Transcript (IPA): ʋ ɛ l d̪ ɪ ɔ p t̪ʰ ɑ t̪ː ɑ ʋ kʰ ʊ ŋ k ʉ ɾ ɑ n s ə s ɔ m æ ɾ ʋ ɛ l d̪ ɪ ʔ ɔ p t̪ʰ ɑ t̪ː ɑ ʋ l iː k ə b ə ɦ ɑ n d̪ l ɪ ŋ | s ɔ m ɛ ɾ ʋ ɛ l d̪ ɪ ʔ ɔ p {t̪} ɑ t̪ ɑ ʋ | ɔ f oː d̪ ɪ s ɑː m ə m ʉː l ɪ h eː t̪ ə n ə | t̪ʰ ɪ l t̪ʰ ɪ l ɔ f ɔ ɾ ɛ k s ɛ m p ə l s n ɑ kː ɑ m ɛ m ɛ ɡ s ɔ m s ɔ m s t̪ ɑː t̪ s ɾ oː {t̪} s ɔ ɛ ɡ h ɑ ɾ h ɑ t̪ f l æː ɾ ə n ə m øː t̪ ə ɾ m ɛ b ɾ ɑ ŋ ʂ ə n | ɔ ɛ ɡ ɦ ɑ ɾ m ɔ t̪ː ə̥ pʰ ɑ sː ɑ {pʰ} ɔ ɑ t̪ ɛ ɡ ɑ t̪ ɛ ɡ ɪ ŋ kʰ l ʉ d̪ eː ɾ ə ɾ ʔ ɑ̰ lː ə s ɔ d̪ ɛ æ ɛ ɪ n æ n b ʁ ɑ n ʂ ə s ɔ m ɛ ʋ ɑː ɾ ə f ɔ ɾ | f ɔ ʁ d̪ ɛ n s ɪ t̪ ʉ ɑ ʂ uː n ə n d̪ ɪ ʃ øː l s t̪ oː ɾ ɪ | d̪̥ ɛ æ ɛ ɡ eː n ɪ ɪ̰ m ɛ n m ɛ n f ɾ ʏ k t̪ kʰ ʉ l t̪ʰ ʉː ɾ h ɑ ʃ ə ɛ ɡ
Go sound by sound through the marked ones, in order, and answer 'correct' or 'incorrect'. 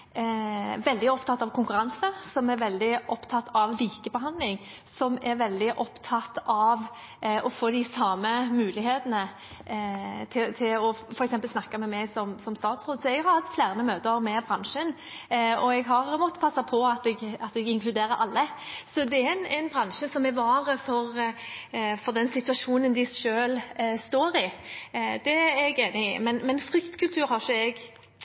incorrect, incorrect, correct

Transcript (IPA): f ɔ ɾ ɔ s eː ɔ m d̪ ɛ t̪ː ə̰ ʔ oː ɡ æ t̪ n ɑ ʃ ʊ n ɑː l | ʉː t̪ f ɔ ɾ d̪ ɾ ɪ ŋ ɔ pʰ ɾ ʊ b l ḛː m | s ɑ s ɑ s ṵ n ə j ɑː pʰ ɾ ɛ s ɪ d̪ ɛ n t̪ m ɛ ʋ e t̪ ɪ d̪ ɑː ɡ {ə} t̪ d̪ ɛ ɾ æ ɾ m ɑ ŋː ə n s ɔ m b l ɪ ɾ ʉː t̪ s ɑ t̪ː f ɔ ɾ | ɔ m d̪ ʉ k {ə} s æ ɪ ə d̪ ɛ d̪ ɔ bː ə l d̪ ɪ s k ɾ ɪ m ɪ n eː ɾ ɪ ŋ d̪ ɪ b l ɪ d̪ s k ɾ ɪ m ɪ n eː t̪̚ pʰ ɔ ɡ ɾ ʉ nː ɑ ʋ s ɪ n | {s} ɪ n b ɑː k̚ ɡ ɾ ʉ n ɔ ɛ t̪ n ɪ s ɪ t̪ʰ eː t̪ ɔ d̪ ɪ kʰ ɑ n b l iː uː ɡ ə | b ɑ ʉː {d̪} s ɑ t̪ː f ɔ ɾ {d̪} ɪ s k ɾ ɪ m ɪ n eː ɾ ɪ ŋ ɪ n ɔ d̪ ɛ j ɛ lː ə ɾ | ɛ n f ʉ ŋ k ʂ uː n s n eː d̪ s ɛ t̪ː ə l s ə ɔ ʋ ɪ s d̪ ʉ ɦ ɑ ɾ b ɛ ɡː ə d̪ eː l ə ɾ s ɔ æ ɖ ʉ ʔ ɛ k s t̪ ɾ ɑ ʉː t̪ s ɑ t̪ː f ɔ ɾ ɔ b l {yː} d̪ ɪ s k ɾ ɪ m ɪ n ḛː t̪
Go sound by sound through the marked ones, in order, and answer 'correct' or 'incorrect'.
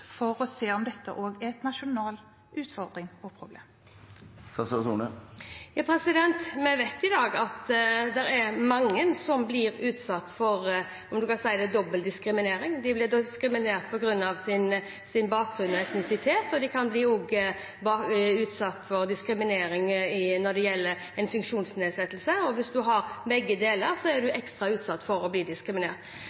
incorrect, incorrect, correct, incorrect, correct, incorrect

